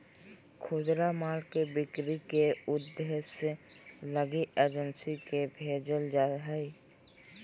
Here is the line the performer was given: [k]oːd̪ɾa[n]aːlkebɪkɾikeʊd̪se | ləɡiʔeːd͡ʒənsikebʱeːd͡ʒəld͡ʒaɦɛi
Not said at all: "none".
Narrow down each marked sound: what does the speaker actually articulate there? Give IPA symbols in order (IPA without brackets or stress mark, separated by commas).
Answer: kʰ, m